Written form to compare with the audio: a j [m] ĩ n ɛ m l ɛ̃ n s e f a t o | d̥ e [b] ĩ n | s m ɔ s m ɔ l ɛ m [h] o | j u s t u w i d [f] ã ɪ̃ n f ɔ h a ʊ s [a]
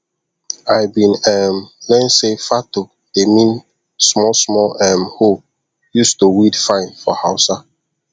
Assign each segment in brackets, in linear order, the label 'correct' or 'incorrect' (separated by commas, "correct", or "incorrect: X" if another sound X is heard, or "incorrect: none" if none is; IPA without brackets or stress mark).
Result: incorrect: b, incorrect: m, correct, correct, correct